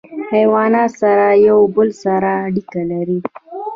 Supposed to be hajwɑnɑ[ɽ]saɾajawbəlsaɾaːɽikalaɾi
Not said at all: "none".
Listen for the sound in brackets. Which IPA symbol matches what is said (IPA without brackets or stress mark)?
none